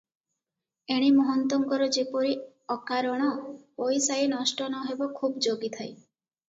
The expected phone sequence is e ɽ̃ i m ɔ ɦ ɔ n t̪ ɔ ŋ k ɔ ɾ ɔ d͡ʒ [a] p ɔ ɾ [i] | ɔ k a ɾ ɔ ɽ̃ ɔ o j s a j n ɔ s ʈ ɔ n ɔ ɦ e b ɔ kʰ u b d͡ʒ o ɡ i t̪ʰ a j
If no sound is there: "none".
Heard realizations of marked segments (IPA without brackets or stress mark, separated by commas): e, i